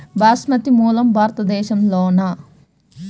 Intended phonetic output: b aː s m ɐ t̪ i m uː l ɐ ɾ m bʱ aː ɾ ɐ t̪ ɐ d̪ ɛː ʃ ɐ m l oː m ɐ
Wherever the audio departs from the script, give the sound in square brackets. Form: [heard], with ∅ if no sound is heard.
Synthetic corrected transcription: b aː s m ɐ t̪ i m uː l ɐ [∅] m bʱ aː ɾ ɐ t̪ ɐ d̪ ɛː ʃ ɐ m l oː [n] ɐ